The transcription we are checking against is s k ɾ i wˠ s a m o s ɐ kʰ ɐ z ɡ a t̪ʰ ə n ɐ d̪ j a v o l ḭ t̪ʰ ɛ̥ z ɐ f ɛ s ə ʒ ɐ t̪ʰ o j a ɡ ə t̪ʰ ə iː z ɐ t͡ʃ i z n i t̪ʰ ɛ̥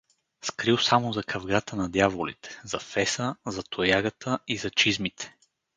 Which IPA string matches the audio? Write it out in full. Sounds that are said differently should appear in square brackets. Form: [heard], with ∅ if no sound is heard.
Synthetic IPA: s k ɾ i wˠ s a m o [z] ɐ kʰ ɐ [v] ɡ a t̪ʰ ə n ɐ d̪ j a v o l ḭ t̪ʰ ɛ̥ z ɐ f ɛ s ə [z] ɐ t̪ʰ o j a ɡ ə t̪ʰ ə [i] z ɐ t͡ʃ i z [m] i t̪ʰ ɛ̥